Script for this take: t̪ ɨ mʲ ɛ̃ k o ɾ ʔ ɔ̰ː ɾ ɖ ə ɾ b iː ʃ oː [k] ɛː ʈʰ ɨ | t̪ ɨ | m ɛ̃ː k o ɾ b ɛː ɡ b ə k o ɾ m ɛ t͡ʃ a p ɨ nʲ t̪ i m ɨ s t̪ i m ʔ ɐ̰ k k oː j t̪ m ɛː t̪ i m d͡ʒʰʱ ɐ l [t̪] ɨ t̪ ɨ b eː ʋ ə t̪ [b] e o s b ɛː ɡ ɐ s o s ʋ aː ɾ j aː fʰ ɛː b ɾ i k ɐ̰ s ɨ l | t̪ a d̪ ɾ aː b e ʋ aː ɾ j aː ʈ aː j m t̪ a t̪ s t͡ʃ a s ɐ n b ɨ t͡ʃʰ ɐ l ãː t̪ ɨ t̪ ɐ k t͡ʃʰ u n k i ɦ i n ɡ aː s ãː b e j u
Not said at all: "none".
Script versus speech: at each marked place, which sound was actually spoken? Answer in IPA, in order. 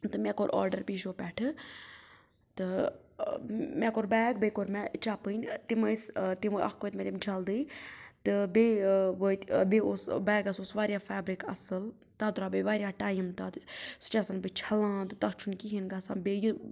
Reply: p, d̪, b

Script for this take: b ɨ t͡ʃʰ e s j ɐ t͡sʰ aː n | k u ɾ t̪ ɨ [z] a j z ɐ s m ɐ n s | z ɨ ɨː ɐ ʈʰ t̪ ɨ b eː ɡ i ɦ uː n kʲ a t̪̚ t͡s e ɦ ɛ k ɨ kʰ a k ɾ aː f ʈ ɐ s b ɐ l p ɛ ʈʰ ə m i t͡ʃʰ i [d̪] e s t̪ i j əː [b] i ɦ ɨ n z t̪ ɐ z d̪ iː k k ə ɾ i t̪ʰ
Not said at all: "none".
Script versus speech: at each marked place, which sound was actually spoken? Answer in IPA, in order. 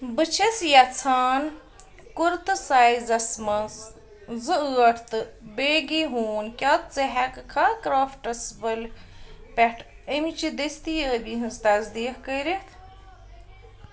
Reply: s, d̪, b

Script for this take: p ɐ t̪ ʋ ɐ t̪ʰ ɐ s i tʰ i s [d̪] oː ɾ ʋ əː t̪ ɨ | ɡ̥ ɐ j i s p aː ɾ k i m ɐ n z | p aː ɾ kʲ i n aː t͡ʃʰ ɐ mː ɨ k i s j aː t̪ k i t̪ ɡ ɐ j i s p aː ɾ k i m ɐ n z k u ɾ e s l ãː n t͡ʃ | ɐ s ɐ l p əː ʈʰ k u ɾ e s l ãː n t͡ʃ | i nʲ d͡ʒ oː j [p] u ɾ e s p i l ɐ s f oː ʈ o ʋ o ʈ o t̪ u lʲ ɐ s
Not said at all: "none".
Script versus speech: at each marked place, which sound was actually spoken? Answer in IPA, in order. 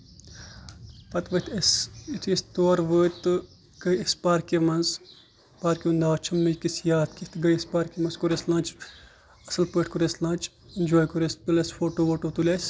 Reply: t̪, k

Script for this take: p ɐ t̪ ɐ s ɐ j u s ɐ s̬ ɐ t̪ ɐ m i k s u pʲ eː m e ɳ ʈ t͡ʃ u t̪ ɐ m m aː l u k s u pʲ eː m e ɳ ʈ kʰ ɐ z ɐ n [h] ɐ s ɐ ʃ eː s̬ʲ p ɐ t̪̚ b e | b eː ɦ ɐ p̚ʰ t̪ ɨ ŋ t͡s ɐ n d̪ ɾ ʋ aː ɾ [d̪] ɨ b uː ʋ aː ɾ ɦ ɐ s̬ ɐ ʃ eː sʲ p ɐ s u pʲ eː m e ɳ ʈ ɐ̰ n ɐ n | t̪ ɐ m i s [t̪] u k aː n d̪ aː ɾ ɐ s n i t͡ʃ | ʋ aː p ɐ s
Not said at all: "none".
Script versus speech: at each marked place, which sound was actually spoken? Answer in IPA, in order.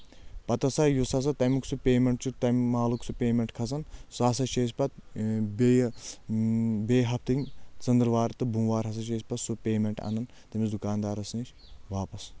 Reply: s, t̪, d̪

